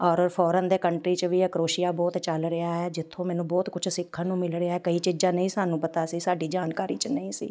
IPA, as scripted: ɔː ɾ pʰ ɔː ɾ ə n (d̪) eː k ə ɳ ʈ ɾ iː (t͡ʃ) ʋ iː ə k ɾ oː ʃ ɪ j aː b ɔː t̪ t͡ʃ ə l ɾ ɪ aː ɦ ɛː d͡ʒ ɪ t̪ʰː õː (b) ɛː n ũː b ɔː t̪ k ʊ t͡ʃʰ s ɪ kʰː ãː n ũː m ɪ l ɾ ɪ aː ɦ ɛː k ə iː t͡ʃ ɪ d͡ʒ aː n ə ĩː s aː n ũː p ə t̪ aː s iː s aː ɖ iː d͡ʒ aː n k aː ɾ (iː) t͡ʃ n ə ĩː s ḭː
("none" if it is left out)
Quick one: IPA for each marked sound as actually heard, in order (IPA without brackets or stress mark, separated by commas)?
d̪, t͡ʃ, m, iː